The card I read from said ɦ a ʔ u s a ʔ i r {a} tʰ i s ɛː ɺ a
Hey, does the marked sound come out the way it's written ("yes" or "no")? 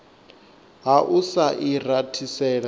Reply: yes